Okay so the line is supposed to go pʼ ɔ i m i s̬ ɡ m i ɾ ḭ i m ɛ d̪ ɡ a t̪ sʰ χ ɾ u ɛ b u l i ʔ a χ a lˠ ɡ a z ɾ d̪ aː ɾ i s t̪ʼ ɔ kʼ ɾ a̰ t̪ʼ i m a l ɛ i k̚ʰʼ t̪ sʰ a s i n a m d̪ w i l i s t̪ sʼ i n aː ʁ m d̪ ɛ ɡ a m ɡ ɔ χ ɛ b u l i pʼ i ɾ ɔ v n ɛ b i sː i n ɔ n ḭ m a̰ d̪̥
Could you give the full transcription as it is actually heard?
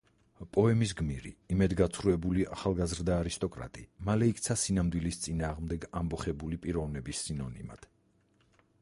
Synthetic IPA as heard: pʼ ɔ ɛ m i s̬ ɡ m i ɾ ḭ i m ɛ d̪ ɡ a t̪ sʰ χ ɾ u ɛ b u l i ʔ a χ a lˠ ɡ a z ɾ d̪ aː ɾ i s t̪ʼ ɔ kʼ ɾ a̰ t̪ʼ i m a l ɛ i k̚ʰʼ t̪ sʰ a s i n a m d̪ w i l i s t̪ sʼ i n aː ʁ m d̪ ɛ ɡ a m b ɔ χ ɛ b u l i pʼ i ɾ ɔ v n ɛ b i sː i n ɔ n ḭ m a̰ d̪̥